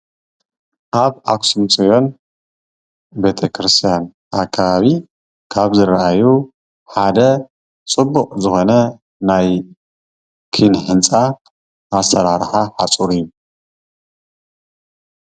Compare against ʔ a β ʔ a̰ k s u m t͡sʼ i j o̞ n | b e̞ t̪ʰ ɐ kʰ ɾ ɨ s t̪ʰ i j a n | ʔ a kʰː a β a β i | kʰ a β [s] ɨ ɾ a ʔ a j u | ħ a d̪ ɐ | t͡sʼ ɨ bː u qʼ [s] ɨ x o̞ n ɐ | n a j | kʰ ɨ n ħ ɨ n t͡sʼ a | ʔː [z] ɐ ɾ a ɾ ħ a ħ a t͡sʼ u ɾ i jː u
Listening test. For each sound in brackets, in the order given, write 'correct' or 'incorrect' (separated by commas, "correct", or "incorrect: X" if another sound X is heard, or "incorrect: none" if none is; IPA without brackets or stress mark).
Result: incorrect: z, incorrect: z, incorrect: s